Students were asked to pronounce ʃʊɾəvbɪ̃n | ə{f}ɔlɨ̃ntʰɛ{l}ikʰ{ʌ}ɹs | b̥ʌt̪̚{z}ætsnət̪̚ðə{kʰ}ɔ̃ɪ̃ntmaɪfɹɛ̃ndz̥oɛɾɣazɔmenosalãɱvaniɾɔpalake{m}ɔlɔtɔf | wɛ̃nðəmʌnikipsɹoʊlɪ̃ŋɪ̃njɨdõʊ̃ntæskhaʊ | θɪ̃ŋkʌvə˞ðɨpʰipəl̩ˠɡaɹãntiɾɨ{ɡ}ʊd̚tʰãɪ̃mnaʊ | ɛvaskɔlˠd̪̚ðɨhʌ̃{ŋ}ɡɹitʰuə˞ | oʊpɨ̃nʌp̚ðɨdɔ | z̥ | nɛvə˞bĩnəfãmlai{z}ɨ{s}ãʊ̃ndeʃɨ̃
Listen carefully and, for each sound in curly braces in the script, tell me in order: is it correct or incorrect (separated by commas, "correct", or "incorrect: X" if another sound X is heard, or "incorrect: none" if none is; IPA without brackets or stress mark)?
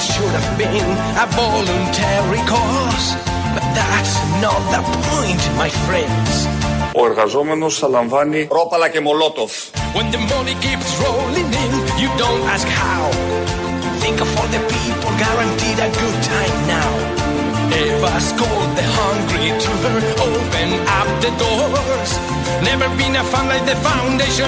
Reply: incorrect: v, incorrect: ɹ, incorrect: ɔ, incorrect: ð, incorrect: pʰ, correct, correct, correct, incorrect: ð, incorrect: f